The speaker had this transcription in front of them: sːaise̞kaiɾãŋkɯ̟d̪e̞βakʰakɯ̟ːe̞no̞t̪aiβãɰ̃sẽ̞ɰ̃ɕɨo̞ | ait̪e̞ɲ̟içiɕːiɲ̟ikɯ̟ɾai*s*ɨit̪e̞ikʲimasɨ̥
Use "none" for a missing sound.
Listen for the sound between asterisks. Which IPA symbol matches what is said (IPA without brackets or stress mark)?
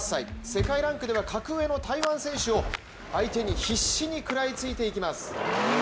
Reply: t͡s